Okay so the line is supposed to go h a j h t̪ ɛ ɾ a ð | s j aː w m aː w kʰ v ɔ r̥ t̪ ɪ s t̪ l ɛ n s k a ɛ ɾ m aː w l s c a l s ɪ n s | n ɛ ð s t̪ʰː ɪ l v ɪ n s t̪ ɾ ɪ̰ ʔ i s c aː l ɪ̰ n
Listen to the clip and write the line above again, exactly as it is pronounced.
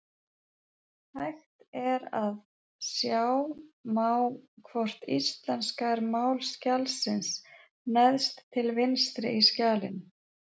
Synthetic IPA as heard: h a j x t̪ ɛ ɾ a ð | s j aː w m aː w kʰ v ɔ r̥ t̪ i s t̪ l ɛ n s k a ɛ ɾ m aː w l s c a l s ɪ n s | n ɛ ð s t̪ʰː ɪ l v ɪ n s t̪ ɾ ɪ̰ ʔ i s c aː l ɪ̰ n